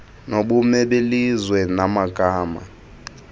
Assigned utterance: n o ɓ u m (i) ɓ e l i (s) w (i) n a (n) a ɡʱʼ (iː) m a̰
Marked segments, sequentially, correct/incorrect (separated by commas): incorrect, incorrect, incorrect, incorrect, incorrect